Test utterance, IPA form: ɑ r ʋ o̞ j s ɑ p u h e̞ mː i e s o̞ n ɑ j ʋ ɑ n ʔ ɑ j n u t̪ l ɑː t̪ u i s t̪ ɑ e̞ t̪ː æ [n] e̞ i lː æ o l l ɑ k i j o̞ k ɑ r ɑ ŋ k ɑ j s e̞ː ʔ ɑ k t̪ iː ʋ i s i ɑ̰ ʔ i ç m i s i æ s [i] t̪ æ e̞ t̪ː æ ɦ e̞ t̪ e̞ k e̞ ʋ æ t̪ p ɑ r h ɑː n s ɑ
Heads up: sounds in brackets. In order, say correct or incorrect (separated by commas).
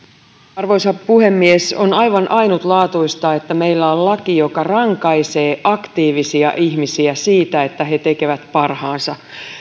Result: incorrect, incorrect